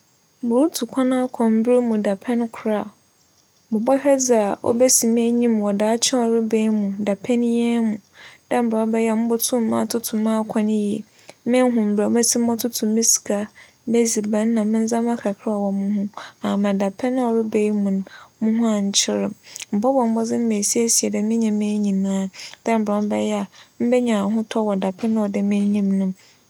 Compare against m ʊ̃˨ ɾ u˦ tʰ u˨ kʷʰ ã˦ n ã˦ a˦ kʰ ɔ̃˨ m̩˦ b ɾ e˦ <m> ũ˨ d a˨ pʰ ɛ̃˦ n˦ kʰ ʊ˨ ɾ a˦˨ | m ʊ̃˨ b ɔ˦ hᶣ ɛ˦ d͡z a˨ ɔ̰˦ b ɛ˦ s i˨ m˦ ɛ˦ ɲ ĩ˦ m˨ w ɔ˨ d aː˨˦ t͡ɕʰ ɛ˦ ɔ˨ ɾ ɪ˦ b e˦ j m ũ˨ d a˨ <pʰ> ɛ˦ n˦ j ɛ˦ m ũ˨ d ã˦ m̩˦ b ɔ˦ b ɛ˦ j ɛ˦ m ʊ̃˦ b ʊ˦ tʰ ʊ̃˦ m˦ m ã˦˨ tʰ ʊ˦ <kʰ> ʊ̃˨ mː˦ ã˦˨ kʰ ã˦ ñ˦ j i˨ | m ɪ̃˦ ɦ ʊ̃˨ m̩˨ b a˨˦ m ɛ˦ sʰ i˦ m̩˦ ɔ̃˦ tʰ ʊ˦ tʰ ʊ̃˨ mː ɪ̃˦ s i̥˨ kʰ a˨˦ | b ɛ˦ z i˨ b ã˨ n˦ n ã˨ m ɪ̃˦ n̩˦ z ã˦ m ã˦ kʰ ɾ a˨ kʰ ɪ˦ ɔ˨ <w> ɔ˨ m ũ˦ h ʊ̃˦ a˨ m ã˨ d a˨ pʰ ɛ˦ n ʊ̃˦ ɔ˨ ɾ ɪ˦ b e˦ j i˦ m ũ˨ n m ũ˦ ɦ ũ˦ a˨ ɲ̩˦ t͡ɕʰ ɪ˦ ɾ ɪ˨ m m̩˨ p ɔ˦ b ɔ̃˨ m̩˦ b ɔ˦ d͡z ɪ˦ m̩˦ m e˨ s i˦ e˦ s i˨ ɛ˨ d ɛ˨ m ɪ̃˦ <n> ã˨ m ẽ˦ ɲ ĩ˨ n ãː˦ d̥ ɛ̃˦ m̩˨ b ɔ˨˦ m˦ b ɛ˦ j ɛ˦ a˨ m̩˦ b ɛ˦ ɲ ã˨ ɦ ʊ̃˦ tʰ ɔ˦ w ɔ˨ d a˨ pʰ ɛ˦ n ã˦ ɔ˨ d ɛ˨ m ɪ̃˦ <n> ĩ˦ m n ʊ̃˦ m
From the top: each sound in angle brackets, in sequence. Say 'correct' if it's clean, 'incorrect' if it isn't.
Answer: correct, correct, incorrect: tʰ, correct, incorrect: ɲ, incorrect: ɲ

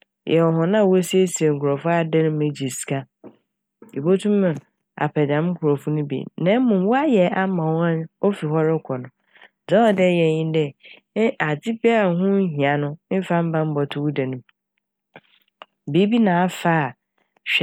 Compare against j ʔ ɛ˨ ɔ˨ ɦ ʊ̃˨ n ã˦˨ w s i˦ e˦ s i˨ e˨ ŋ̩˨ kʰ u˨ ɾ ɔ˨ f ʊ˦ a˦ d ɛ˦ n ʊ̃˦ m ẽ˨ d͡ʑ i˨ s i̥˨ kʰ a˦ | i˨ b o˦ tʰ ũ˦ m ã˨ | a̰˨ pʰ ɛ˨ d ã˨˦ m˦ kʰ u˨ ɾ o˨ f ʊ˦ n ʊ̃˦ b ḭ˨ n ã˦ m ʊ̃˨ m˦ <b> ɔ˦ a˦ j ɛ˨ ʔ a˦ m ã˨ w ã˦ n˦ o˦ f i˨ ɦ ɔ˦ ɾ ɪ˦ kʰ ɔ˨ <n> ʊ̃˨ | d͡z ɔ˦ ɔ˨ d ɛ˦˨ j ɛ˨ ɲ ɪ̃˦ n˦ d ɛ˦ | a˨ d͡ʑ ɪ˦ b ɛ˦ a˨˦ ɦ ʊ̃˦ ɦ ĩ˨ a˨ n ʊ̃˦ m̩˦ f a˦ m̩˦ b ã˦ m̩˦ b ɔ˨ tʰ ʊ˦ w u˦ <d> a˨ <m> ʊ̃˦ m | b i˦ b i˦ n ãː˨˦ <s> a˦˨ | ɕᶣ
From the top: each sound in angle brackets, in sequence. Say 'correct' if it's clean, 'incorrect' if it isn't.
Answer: incorrect: w, correct, correct, incorrect: n, incorrect: f

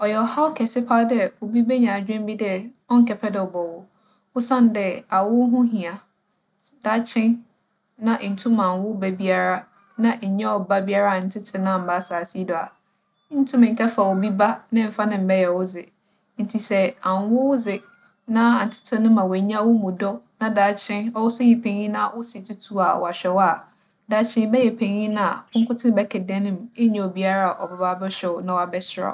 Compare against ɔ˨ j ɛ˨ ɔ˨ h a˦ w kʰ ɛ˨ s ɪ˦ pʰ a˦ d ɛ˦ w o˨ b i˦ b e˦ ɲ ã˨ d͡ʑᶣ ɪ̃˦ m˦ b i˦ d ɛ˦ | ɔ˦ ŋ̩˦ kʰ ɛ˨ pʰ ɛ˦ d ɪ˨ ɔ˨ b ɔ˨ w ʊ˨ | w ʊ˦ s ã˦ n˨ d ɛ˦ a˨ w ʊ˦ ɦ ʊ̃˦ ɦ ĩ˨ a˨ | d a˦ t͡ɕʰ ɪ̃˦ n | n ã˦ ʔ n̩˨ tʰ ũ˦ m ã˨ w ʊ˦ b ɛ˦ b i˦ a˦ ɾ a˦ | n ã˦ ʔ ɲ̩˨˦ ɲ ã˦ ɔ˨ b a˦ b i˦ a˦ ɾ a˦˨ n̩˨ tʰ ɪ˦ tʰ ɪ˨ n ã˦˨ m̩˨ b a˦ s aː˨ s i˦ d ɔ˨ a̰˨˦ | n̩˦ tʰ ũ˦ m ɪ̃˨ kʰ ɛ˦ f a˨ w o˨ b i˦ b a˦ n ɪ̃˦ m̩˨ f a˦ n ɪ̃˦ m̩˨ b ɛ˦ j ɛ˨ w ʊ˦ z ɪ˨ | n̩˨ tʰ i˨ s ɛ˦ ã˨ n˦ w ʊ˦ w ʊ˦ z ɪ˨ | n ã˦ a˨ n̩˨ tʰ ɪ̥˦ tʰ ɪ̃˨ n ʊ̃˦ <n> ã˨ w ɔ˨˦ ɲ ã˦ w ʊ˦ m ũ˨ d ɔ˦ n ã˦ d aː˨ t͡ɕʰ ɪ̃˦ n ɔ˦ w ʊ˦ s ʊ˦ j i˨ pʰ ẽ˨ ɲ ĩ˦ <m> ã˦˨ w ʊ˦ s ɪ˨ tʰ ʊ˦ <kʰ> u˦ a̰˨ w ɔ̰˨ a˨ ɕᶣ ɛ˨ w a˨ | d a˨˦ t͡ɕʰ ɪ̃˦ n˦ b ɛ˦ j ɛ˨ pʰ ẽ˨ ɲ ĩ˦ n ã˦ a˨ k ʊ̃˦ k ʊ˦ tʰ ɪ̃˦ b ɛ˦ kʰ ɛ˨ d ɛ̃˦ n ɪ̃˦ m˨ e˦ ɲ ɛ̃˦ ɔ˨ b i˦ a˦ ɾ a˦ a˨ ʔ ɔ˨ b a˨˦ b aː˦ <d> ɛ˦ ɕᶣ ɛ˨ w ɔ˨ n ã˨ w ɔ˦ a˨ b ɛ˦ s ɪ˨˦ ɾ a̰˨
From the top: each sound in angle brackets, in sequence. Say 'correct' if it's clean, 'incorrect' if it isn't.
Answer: incorrect: m, incorrect: n, incorrect: tʰ, incorrect: b

